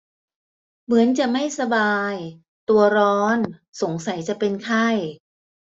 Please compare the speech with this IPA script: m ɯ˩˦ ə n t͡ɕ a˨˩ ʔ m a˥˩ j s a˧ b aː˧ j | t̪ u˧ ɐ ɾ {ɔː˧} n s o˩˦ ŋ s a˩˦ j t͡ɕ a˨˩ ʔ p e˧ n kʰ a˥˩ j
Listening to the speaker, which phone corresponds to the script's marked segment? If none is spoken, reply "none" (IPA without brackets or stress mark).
ɔː˦˥